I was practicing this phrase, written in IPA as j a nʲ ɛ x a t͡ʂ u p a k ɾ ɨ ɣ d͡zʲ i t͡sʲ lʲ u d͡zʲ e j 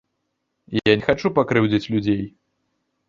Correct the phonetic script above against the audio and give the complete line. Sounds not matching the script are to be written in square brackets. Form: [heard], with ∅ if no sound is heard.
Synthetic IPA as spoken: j a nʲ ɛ x a t͡ʂ u p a k ɾ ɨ [w] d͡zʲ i t͡sʲ lʲ u d͡zʲ e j